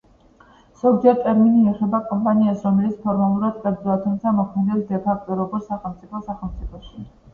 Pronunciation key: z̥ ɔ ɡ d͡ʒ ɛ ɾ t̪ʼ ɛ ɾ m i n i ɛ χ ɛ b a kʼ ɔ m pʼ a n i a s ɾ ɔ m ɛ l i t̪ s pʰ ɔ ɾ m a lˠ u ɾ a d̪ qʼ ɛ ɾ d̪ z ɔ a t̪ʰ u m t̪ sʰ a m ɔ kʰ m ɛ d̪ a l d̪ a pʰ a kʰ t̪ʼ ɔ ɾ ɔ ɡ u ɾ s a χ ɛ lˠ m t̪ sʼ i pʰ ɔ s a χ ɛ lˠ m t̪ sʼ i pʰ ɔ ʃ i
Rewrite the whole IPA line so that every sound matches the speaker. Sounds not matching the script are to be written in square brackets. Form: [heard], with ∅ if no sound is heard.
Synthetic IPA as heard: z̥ ɔ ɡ d͡ʒ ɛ ɾ t̪ʼ ɛ ɾ m i n i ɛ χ ɛ b a kʼ ɔ m pʼ a n i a s ɾ ɔ m ɛ l i t̪ s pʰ ɔ ɾ m a lˠ u ɾ a d̪ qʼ ɛ ɾ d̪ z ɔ a t̪ʰ u m t̪ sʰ a m ɔ kʰ m ɛ d̪ [ɛ] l d̪ [ɛ] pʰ a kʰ t̪ʼ ɔ ɾ ɔ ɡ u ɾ s a χ ɛ lˠ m t̪ sʼ i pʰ ɔ s a χ ɛ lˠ m t̪ sʼ i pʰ ɔ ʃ i